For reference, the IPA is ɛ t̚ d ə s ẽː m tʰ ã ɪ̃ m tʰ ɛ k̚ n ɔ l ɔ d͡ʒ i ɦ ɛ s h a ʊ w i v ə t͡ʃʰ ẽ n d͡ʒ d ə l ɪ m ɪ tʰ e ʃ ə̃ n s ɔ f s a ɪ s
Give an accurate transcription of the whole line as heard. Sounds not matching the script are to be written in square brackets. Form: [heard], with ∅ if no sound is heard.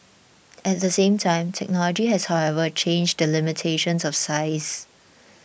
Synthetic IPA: ɛ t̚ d ə s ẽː m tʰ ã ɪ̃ m tʰ ɛ k̚ n ɔ l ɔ d͡ʒ i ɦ ɛ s h a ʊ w [ɛ] v ə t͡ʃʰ ẽ n d͡ʒ d ə l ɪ m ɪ tʰ e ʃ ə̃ n s ɔ f s a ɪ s